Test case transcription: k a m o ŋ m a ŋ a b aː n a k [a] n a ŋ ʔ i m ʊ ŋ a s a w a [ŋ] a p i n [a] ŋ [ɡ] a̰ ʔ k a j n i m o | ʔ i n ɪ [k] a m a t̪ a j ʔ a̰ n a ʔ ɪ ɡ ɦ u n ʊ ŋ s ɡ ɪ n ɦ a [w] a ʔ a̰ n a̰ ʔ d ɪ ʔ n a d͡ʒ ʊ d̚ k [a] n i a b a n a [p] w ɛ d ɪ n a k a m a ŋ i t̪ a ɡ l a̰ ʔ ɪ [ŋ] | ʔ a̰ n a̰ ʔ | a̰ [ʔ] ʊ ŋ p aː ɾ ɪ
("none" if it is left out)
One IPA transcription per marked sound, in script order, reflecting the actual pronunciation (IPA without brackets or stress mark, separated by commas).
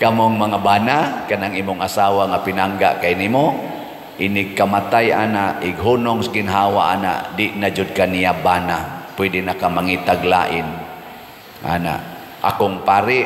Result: a, ŋ, a, ɡ, k, w, a, p, n, k